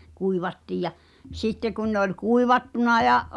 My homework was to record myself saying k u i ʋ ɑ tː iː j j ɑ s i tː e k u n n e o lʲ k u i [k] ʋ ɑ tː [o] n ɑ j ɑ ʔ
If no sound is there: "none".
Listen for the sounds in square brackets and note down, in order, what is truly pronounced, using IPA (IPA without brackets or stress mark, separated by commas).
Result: none, u